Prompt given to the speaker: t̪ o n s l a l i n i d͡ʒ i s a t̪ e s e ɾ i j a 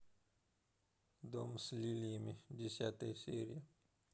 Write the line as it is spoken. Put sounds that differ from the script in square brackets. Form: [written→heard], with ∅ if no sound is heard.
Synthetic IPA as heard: [t̪→d̪] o [n→m] s l [a→i] l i [n→m] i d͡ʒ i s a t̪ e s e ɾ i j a